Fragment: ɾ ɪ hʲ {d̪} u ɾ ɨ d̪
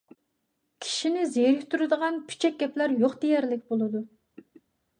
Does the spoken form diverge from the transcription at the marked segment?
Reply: yes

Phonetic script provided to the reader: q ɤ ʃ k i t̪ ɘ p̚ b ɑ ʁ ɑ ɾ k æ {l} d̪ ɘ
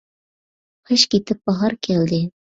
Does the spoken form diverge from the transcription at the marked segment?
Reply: no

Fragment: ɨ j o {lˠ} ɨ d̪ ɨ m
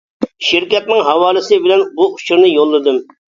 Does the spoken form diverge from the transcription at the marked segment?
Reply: yes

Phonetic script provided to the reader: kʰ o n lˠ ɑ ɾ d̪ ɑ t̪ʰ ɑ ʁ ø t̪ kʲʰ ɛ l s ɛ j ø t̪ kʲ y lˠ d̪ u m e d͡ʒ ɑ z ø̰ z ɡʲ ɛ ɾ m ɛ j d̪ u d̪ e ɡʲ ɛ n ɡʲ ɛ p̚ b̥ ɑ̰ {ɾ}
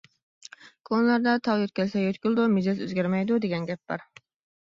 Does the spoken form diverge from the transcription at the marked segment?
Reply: no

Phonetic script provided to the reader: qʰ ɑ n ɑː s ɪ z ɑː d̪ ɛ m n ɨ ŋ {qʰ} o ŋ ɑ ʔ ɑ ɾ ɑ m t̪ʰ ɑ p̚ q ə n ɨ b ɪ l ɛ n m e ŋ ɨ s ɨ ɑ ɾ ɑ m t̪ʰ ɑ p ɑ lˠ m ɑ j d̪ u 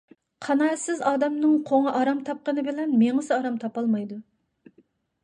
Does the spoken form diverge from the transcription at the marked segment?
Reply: no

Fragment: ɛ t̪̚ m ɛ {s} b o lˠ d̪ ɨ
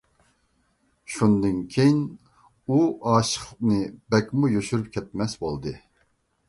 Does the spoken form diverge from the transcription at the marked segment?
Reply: no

